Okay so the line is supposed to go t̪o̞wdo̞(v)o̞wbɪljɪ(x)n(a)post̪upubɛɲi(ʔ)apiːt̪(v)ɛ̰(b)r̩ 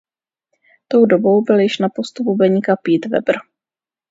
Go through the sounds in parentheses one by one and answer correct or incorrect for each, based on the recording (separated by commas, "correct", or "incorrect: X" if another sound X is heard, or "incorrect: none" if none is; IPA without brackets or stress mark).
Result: incorrect: b, incorrect: ʃ, correct, incorrect: k, correct, correct